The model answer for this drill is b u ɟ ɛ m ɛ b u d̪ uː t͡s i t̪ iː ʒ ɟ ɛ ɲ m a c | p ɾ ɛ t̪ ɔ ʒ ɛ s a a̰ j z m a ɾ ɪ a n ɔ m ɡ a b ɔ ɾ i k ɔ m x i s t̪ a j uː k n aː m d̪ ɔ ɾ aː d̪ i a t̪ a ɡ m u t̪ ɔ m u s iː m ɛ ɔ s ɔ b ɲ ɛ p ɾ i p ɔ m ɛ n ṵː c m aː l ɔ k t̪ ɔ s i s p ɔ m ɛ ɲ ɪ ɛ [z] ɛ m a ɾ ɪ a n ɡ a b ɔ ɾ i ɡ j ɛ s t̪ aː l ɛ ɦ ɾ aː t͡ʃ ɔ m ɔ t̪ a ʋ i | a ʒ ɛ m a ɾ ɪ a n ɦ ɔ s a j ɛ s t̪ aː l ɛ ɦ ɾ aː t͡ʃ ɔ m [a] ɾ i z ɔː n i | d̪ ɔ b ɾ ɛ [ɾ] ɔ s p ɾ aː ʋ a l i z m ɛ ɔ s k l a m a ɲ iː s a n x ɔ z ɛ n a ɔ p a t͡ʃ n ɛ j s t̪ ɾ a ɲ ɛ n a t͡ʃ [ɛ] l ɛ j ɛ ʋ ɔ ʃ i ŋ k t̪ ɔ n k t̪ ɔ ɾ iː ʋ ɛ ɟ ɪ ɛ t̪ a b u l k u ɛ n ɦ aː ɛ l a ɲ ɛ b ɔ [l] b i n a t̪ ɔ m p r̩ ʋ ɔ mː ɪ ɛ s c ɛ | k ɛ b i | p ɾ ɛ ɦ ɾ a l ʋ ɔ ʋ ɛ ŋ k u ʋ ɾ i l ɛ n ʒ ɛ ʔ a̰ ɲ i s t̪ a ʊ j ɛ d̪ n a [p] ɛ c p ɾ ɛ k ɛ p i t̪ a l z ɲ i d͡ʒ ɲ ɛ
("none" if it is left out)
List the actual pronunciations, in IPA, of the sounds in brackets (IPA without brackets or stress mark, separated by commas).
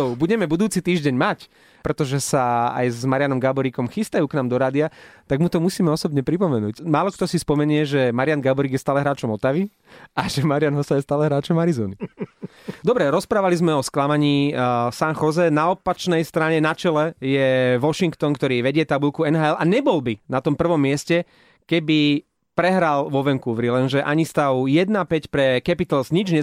ʒ, a, ɾ, ɛ, l, p